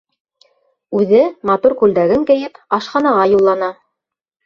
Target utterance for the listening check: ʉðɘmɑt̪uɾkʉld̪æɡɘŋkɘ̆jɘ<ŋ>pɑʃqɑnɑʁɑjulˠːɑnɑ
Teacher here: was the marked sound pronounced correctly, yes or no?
no